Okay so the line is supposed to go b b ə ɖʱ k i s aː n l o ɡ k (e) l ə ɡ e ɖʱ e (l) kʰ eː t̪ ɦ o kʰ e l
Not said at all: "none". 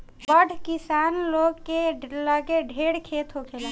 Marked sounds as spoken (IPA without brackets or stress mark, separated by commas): e, ɽ